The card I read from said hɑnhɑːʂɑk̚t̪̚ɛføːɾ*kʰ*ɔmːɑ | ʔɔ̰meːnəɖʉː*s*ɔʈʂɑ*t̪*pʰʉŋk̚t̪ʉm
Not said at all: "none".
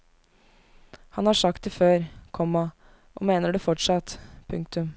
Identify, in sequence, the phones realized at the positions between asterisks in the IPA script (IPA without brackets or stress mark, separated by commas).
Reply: kʰ, f, t̪